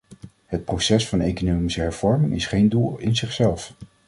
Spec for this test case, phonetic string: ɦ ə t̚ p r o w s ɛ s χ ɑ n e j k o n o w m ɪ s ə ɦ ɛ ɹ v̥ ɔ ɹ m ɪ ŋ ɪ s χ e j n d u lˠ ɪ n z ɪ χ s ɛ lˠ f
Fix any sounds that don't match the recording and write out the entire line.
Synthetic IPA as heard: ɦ ə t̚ p r o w s ɛ s f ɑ n e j k o n o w m i s ə ɦ ɛ ɹ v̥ ɔ ɹ m ɪ ŋ ɪ s χ e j n d u lˠ ɪ n z ɪ χ s ɛ lˠ f